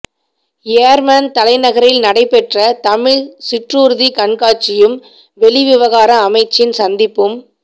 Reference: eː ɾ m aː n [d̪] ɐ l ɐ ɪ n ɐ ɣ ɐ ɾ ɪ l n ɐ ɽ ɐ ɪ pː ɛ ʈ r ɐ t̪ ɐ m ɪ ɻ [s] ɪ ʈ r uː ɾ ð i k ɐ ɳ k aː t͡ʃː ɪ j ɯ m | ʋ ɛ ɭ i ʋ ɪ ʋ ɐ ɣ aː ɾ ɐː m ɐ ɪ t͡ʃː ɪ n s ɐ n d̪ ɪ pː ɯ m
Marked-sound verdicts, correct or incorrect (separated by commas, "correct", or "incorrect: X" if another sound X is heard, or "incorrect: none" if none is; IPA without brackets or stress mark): incorrect: t̪, correct